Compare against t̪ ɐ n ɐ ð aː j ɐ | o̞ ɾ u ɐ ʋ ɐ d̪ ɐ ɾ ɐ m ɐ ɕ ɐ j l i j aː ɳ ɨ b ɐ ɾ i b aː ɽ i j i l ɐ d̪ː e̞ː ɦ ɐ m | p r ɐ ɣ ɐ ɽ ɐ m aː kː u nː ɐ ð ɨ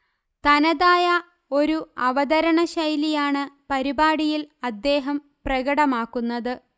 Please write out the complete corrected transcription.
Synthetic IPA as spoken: t̪ ɐ n ɐ ð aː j ɐ | o̞ ɾ u ɐ ʋ ɐ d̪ ɐ ɾ ɐ ɳ ɐ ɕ ɐ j l i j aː ɳ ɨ p ɐ ɾ i b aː ɽ i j i l ɐ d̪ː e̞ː ɦ ɐ m | p r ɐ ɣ ɐ ɽ ɐ m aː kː u nː ɐ ð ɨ